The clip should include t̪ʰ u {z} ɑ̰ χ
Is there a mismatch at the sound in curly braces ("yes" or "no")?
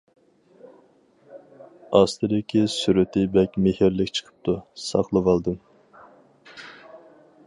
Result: yes